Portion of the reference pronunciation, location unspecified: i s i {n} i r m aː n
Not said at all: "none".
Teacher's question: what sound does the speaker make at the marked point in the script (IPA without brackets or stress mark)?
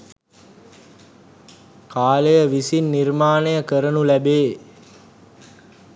nː